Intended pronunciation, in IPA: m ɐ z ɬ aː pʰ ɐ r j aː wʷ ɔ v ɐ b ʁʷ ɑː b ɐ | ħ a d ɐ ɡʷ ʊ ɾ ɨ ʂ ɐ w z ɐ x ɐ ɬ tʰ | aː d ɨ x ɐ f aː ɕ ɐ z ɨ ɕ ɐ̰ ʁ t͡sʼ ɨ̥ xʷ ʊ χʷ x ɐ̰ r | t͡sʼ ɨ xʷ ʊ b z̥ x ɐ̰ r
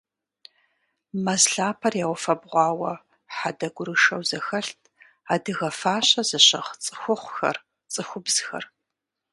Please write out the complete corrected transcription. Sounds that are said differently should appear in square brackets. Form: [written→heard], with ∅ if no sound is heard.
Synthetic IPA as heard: m ɐ z ɬ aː pʰ ɐ r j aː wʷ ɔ [v→f] ɐ b ʁʷ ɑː [b→w] ɐ | ħ a d ɐ ɡʷ ʊ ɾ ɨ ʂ ɐ w z ɐ x ɐ ɬ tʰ | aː d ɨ [x→ɣ] ɐ f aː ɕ ɐ z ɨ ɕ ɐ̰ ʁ t͡sʼ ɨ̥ xʷ ʊ χʷ x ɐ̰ r | t͡sʼ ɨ xʷ ʊ b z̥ x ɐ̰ r

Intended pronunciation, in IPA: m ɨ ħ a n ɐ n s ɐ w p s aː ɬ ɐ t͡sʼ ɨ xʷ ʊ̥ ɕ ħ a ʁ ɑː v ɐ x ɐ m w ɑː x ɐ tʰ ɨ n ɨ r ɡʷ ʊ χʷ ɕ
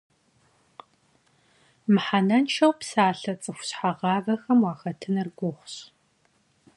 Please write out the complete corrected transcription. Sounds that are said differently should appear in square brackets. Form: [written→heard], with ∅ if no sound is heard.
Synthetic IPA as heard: m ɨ ħ a n ɐ n [s→ʃ] ɐ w p s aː ɬ ɐ t͡sʼ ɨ xʷ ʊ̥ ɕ ħ a ʁ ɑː v ɐ x ɐ m w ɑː x ɐ tʰ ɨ n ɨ r ɡʷ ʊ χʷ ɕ

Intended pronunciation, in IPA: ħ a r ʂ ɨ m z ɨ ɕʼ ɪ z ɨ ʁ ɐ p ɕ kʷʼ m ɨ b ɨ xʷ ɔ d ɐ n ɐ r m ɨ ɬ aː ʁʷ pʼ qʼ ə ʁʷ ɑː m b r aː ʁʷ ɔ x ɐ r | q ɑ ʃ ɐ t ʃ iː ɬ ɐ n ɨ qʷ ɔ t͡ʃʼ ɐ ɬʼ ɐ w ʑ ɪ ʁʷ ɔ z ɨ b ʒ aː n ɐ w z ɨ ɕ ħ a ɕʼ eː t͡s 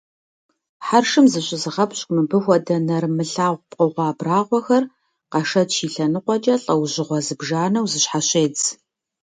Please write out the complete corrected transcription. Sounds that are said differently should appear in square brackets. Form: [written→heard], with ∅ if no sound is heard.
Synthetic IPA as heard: ħ a r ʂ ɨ m z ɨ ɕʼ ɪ z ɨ ʁ ɐ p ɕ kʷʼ m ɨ b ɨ xʷ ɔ d ɐ n ɐ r m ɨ ɬ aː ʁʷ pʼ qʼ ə ʁʷ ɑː [m→∅] b r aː ʁʷ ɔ x ɐ r | q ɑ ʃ ɐ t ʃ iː ɬ ɐ n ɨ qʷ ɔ t͡ʃʼ ɐ ɬʼ ɐ w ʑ ɪ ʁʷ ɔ z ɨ b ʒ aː n ɐ w z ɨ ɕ ħ a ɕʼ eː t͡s

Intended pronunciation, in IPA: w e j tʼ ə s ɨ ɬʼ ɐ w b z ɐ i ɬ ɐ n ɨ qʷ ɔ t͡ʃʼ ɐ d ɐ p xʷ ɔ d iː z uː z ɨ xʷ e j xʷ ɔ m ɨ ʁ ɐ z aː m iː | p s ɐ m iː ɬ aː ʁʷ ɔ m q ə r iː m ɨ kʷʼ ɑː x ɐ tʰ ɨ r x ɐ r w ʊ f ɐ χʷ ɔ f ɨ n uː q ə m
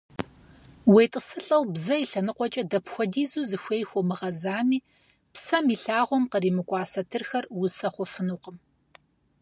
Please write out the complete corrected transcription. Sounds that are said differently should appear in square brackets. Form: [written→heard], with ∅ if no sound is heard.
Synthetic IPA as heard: w e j tʼ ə s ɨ ɬʼ ɐ w b z ɐ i ɬ ɐ n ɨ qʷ ɔ t͡ʃʼ ɐ d ɐ p xʷ ɔ d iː z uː z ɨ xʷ e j xʷ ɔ m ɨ ʁ ɐ z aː m iː | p s ɐ m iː ɬ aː ʁʷ ɔ m q ə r iː m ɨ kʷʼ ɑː [x→s] ɐ tʰ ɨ r x ɐ r w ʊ [f→s] ɐ χʷ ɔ f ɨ n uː q ə m

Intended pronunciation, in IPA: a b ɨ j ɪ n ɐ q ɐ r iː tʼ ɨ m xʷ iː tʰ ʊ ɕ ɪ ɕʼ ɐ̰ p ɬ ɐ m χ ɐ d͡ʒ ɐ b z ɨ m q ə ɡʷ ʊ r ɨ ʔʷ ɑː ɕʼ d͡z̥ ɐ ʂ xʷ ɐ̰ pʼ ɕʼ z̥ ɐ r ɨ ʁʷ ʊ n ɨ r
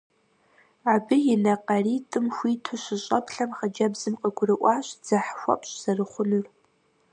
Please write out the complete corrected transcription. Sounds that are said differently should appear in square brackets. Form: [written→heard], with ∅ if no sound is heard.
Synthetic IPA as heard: a b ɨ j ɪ n ɐ q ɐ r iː tʼ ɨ m xʷ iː tʰ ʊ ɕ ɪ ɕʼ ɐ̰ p ɬ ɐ m χ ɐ d͡ʒ ɐ b z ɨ m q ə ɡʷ ʊ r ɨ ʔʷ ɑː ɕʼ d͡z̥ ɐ [ʂ→ħ] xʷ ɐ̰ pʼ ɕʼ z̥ ɐ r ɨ [ʁʷ→χʷ] ʊ n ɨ r

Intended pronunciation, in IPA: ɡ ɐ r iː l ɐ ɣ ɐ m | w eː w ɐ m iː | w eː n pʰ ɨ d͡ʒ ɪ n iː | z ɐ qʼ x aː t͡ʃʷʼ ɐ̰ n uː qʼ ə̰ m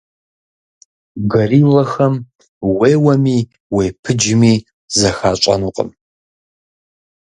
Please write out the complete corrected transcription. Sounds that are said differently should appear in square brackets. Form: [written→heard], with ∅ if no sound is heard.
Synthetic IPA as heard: ɡ ɐ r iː l ɐ [ɣ→x] ɐ m | w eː w ɐ m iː | w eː [n→∅] pʰ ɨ d͡ʒ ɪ [n→m] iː | z ɐ [qʼ→∅] x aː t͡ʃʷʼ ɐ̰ n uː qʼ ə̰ m

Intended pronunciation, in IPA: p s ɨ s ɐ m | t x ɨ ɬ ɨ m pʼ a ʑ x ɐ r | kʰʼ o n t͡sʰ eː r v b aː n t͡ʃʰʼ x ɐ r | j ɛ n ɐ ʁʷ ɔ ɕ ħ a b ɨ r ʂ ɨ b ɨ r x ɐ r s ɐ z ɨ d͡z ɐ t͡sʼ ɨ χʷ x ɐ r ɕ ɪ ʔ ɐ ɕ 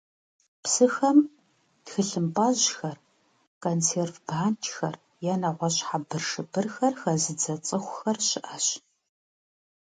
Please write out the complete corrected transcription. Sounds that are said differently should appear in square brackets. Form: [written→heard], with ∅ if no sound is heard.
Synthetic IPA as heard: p s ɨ [s→x] ɐ m | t x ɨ ɬ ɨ m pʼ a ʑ x ɐ r | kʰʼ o n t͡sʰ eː r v b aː n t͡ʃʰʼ x ɐ r | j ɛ n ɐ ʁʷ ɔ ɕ ħ a b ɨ r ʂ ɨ b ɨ r x ɐ r [s→x] ɐ z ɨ d͡z ɐ t͡sʼ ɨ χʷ x ɐ r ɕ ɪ ʔ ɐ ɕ

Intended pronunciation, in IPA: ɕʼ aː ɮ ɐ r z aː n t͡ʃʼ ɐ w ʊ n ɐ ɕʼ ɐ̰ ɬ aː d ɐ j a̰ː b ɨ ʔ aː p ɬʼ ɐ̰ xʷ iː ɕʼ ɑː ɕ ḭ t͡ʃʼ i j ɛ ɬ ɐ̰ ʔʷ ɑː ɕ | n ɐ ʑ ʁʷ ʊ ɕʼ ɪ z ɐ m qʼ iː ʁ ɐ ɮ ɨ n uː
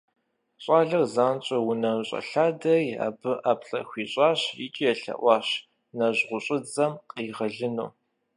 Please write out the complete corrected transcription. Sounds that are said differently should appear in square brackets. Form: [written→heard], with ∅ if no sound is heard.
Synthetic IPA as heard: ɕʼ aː ɮ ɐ r z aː n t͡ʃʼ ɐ w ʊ n ɐ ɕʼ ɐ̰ ɬ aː d ɐ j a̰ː b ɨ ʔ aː p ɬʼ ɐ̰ xʷ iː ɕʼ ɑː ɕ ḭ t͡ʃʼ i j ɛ ɬ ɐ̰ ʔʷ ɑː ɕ | n ɐ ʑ ʁʷ ʊ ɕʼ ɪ [z→d͡z] ɐ m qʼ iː ʁ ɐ ɮ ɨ n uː

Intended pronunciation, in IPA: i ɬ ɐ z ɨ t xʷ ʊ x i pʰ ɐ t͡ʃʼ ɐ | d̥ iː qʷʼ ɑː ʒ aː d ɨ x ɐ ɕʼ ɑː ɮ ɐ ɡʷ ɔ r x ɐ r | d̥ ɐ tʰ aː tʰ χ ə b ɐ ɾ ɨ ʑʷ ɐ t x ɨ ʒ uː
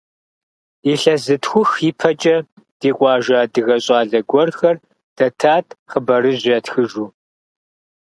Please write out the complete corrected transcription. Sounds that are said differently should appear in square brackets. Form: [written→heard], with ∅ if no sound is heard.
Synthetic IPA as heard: i ɬ ɐ z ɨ t xʷ ʊ x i pʰ ɐ t͡ʃʼ ɐ | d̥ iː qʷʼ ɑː ʒ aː d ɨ [x→ɣ] ɐ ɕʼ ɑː ɮ ɐ ɡʷ ɔ r x ɐ r | d̥ ɐ tʰ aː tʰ χ ə b ɐ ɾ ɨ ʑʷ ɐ t x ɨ ʒ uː

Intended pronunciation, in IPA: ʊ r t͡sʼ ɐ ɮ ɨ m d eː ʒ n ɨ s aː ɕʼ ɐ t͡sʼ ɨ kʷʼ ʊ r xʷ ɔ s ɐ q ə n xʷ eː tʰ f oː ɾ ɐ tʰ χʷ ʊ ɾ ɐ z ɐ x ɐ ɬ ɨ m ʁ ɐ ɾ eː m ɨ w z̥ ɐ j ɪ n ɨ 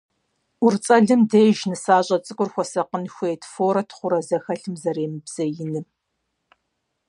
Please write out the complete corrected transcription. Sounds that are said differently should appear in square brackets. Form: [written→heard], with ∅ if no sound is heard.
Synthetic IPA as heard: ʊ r t͡sʼ ɐ ɮ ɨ m d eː ʒ n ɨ s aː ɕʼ ɐ t͡sʼ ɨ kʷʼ ʊ r xʷ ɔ s ɐ q ə n xʷ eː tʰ f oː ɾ ɐ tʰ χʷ ʊ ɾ ɐ z ɐ x ɐ ɬ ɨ m [ʁ→z] ɐ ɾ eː m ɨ [w→b] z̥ ɐ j ɪ n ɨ

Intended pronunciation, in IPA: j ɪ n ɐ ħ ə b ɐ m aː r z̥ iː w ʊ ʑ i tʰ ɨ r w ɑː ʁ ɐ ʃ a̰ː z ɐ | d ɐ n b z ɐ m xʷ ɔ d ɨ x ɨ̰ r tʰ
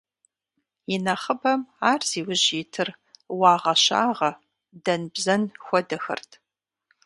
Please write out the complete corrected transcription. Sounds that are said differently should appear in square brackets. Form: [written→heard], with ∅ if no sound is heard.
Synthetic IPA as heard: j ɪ n ɐ [ħ→χ] ə b ɐ m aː r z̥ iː w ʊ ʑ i tʰ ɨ r w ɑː ʁ ɐ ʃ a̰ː [z→ʁ] ɐ | d ɐ n b z ɐ [m→n] xʷ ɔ d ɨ x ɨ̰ r tʰ

